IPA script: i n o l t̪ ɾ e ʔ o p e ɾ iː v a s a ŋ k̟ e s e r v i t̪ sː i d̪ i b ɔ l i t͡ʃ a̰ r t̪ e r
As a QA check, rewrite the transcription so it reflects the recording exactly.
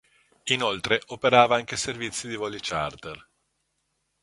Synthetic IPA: i n o l t̪ ɾ e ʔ o p e ɾ aː v a a ŋ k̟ e s e r v i t̪ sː i d̪ i v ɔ l i t͡ʃ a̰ r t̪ e r